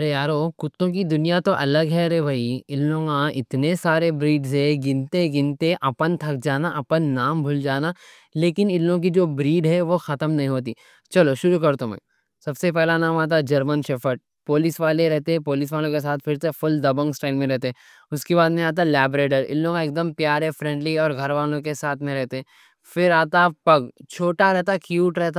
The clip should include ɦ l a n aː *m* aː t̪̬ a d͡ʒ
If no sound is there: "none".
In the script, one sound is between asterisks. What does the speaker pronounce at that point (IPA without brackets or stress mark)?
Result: m